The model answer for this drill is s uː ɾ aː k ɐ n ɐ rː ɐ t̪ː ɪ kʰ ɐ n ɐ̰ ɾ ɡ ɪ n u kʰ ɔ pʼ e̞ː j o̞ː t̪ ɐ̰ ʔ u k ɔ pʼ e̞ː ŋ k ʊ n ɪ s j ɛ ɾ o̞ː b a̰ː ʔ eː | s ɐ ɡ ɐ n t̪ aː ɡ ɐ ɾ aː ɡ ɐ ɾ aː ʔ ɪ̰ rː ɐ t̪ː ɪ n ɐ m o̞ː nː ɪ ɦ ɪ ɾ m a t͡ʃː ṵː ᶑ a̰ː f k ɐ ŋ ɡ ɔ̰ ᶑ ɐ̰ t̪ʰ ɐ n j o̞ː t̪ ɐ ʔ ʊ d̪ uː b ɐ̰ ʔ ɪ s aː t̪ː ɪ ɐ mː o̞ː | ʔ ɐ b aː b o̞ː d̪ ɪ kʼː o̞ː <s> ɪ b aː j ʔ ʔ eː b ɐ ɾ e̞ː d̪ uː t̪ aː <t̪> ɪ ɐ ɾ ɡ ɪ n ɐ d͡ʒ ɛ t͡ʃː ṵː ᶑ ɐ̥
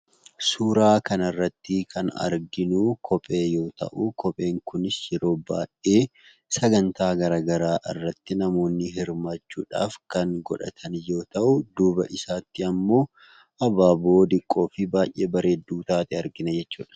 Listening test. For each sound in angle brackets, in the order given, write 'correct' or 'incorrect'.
incorrect: f, correct

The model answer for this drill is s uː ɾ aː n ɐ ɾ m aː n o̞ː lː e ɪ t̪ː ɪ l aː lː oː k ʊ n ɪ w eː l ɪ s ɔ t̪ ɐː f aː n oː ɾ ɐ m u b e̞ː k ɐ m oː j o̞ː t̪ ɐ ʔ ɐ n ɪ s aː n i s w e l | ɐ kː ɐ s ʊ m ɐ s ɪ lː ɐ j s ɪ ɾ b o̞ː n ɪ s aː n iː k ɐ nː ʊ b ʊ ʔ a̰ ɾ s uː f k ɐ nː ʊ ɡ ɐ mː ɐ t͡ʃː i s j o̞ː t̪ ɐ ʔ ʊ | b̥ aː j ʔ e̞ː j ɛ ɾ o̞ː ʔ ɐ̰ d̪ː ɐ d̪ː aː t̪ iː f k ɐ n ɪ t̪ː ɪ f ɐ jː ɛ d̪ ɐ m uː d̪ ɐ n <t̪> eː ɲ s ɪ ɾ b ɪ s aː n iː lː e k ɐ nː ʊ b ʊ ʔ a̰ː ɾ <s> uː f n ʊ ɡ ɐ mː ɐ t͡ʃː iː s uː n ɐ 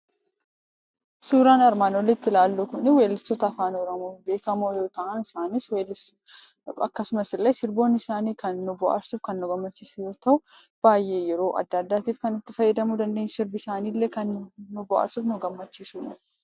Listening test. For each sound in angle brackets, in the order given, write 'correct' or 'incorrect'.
incorrect: d̪, correct

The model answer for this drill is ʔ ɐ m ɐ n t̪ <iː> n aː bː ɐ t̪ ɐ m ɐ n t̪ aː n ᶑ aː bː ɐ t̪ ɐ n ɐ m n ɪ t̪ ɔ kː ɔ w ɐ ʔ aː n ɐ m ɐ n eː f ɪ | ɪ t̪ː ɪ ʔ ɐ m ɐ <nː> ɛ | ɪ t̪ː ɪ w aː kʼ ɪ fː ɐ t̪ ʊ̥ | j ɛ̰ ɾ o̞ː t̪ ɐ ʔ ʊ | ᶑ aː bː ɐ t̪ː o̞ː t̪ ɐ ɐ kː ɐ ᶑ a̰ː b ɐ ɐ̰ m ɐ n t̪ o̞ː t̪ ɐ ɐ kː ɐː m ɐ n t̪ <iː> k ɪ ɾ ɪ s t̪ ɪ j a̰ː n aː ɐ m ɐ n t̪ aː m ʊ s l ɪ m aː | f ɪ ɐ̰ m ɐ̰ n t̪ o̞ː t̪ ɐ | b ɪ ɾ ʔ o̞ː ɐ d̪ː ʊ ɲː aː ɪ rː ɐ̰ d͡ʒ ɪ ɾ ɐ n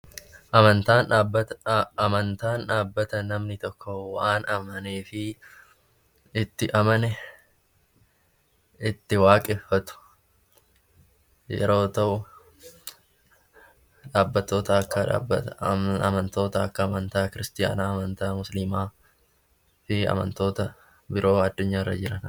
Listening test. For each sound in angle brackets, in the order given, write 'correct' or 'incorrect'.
incorrect: aː, incorrect: n, incorrect: aː

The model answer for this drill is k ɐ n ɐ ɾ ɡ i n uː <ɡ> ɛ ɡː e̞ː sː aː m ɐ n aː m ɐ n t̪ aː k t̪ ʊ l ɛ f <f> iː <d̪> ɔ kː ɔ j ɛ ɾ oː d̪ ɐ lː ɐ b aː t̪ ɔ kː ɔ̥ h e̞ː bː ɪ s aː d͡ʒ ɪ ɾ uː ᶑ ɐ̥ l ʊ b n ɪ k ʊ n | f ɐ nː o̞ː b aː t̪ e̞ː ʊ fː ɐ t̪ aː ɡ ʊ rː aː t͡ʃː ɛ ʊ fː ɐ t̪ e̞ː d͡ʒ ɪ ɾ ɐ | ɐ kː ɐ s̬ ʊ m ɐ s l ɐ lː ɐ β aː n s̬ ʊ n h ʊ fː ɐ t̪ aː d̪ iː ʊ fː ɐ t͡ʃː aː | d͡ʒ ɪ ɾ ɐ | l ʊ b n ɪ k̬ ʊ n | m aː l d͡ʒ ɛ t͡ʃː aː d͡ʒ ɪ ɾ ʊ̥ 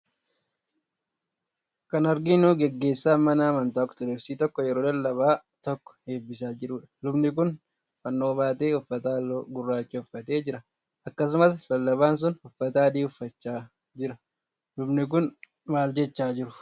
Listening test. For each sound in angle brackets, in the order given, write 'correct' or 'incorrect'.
correct, incorrect: s, incorrect: t̪

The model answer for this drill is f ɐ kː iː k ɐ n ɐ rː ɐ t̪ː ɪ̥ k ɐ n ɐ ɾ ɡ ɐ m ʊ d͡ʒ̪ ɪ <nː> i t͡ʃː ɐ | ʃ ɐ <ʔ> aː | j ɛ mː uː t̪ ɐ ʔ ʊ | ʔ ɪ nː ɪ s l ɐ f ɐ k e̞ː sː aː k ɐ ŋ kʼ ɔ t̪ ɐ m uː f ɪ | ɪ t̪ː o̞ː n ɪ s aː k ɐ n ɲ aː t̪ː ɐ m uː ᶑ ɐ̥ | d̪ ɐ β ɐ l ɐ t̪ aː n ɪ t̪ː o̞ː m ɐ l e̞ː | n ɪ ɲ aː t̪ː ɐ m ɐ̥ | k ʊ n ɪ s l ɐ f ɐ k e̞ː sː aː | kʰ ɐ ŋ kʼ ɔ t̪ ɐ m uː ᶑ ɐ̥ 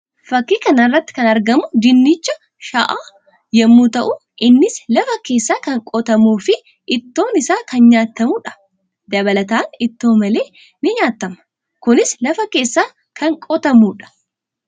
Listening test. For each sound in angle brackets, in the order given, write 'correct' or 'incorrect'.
correct, correct

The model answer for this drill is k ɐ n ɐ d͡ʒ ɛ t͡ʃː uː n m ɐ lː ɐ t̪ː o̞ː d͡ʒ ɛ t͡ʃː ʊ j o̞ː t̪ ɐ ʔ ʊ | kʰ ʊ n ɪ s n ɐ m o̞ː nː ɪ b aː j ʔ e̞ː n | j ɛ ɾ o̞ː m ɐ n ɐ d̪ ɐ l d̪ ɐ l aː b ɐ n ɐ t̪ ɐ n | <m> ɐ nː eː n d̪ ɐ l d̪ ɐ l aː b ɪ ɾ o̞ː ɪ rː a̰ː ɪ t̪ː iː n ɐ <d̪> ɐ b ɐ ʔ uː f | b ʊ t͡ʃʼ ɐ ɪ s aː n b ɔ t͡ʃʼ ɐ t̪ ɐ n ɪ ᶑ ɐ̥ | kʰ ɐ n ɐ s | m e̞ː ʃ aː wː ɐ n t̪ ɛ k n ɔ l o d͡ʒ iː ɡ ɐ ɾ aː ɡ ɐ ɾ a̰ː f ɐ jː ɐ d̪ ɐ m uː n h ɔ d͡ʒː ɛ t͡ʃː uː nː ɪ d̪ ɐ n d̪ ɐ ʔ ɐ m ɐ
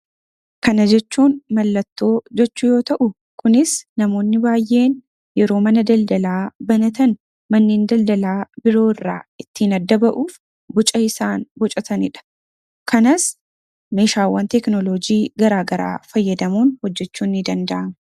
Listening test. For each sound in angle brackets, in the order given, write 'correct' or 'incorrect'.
correct, incorrect: d̪ː

